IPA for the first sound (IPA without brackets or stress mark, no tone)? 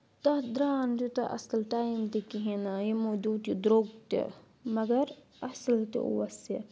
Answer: t̪